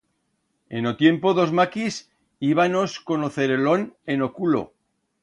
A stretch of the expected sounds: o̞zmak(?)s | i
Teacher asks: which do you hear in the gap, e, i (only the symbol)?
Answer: i